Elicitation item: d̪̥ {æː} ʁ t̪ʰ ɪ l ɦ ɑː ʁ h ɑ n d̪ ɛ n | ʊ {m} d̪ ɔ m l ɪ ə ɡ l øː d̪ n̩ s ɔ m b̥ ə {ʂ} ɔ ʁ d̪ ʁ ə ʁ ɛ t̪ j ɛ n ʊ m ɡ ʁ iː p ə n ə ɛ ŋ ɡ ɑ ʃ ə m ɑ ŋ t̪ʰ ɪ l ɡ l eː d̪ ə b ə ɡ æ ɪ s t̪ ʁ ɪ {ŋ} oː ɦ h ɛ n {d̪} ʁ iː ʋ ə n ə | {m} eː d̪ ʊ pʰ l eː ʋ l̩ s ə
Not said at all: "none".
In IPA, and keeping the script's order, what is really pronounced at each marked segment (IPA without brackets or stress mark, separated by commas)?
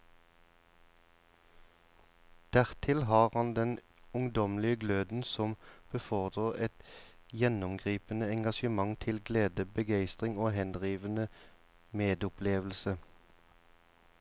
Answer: æ, ŋ, f, ŋ, d̪, m